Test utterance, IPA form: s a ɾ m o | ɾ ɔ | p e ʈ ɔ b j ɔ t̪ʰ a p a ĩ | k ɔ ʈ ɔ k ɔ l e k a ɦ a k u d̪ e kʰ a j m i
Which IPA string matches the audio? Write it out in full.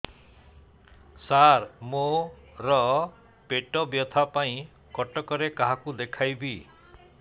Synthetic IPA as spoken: s a ɾ m o | ɾ ɔ | p e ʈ ɔ b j ɔ t̪ʰ a p a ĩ | k ɔ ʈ ɔ k ɔ ɾ e k a ɦ a k u d̪ e kʰ a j b i